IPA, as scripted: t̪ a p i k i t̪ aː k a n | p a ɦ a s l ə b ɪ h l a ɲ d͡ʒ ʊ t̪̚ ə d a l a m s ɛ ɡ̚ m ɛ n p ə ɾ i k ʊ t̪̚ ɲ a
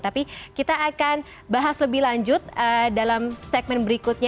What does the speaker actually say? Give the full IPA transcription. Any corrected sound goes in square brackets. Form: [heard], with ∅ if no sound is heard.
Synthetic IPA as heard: t̪ a p i k i t̪ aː k a n | [b] a ɦ a s l ə b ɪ h l a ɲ d͡ʒ ʊ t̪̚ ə d a l a m s ɛ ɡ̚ m ɛ n [b] ə ɾ i k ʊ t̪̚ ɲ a